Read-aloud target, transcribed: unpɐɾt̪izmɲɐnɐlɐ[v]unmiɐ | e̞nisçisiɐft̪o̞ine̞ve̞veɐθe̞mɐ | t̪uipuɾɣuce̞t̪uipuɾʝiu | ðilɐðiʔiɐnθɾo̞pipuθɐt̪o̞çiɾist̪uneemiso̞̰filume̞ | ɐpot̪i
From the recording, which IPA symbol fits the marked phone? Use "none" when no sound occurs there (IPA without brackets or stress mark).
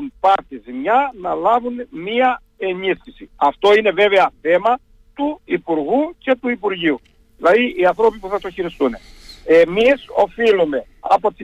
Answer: v